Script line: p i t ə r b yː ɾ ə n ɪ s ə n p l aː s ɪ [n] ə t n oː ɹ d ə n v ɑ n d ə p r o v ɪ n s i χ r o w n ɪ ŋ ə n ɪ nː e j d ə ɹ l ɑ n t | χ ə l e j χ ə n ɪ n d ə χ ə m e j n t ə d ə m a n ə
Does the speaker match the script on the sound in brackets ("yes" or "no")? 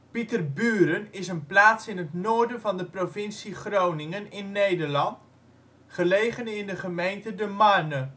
yes